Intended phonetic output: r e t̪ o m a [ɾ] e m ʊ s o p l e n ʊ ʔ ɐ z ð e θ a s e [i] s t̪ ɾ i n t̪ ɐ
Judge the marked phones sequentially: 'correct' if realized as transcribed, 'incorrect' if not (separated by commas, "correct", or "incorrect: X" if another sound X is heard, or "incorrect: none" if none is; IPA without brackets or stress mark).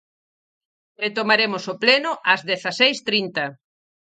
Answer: correct, incorrect: j